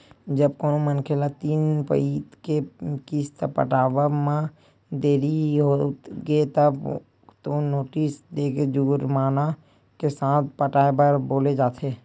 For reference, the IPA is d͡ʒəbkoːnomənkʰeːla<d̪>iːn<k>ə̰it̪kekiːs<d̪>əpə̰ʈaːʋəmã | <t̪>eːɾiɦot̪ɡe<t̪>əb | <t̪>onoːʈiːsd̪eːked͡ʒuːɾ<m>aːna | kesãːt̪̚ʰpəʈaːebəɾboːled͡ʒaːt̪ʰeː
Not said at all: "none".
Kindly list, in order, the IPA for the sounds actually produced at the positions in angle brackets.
t̪, p, t̪, d̪, t̪, t̪, m

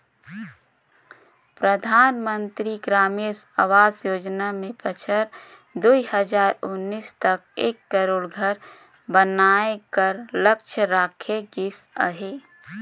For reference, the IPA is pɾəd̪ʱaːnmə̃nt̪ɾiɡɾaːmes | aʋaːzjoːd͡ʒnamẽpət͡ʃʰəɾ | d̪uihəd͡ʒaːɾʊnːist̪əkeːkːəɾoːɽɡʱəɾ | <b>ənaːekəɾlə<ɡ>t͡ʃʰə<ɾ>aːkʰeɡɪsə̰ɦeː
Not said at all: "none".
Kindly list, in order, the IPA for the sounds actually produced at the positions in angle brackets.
b, k, ɾ

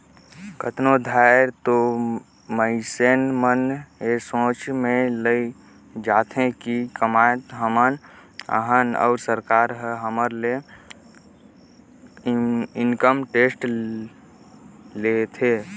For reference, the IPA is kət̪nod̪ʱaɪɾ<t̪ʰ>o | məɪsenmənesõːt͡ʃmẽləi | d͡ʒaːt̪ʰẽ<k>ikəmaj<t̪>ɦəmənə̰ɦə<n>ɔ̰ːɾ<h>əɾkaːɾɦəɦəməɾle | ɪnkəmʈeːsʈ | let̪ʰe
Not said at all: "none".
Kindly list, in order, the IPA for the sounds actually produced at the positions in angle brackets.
t̪, k, t̪, n, s

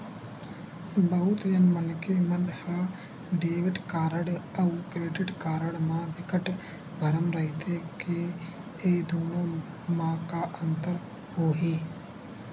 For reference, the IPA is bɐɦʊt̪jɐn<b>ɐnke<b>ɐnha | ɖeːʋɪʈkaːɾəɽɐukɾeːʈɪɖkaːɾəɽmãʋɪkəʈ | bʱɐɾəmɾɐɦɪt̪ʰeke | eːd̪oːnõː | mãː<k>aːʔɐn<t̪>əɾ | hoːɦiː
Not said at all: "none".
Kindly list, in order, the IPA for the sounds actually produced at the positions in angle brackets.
m, m, k, t̪

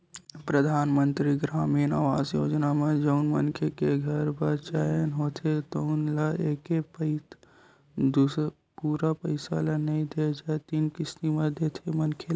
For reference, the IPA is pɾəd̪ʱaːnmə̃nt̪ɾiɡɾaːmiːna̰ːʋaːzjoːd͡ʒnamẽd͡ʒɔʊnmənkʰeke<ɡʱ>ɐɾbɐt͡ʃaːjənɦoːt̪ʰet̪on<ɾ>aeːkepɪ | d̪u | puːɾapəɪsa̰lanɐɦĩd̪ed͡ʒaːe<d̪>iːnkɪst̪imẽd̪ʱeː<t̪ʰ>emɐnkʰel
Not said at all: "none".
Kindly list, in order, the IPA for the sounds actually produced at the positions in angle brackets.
ɡʱ, l, t̪, t̪ʰ

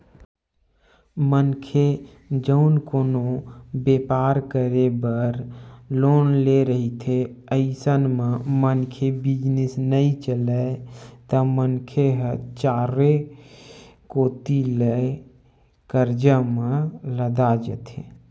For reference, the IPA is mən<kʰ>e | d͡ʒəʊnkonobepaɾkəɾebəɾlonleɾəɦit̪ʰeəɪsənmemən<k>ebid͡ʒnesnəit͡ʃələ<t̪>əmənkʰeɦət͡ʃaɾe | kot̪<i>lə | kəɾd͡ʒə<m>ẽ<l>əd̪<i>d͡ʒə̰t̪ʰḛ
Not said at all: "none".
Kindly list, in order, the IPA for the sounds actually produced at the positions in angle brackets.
kʰ, kʰ, t̪, i, m, l, a

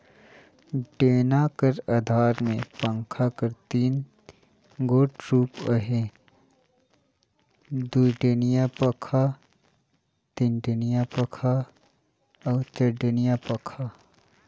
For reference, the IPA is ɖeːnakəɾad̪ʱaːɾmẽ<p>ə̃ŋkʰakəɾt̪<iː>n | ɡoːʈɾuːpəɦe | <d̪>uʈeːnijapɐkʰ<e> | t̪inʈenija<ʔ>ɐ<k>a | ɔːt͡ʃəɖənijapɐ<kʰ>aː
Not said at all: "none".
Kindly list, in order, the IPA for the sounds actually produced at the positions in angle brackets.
p, iː, d̪, a, p, kʰ, kʰ

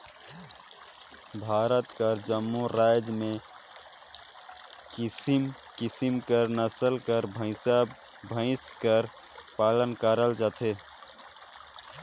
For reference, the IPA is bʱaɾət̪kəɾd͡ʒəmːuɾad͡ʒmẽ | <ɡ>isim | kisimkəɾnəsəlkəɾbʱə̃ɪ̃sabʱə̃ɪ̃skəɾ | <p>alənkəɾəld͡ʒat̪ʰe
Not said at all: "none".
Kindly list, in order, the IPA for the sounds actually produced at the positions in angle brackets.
k, p

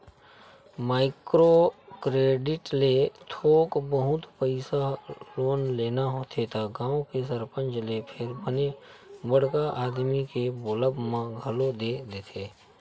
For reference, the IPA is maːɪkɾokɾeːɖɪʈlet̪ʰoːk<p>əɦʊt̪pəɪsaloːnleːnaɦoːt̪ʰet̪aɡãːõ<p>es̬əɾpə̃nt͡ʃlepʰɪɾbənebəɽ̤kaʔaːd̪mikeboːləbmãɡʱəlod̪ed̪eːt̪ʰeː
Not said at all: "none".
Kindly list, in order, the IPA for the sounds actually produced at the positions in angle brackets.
b, k

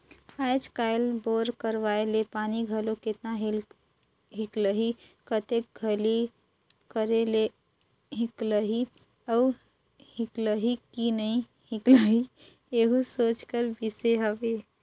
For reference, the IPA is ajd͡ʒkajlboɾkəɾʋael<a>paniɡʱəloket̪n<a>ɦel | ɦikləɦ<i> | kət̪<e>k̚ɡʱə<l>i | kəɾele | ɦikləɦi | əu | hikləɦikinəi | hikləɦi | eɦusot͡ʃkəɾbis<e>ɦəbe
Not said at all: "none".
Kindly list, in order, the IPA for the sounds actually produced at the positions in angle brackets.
e, a, i, e, l, e

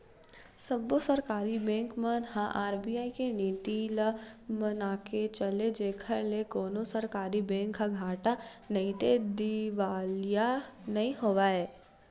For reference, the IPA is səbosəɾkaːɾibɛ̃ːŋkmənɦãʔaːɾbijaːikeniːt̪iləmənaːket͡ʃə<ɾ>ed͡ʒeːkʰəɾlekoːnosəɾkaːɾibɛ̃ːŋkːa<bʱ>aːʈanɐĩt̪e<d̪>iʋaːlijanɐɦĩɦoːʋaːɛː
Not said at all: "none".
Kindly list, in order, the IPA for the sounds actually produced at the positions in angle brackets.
l, ɡʱ, d̪

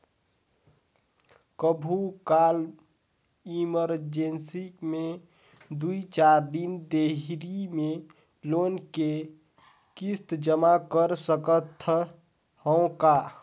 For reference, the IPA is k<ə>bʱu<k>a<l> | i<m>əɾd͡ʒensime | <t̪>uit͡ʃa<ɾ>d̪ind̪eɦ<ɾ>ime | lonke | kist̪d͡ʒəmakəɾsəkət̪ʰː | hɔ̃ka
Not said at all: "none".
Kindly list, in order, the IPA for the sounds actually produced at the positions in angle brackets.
ə, k, l, m, d̪, ɾ, ɾ

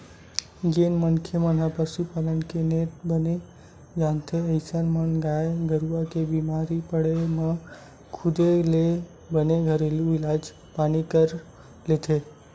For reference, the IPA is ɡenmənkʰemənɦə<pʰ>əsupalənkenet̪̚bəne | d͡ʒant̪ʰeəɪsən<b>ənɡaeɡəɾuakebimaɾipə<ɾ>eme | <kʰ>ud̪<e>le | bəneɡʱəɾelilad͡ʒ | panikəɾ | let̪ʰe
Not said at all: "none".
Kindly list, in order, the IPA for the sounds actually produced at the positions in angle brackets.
p, m, ɽ, kʰ, e

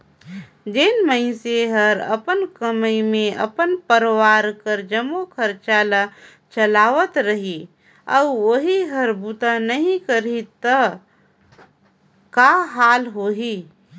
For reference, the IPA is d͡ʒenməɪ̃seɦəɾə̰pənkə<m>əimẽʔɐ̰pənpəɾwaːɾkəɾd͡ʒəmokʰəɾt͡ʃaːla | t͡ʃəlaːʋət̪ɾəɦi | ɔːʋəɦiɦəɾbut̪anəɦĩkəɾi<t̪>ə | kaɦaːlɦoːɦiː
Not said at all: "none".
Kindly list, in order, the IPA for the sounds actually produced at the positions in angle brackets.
m, t̪

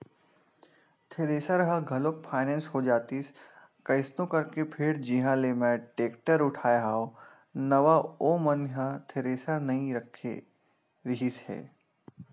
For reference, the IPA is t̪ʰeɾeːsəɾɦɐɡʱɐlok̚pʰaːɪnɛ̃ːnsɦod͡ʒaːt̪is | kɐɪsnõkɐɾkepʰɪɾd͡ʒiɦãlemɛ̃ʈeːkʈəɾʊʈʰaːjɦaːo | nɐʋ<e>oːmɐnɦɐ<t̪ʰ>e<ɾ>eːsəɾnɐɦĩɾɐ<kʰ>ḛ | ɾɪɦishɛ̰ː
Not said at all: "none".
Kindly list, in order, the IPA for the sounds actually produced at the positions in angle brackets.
a, t̪ʰ, ɾ, kʰ

